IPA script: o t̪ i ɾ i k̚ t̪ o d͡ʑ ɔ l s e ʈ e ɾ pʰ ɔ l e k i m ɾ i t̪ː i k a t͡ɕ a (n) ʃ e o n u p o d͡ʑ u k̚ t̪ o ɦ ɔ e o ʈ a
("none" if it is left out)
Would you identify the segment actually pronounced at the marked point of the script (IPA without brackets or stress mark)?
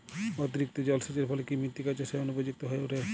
none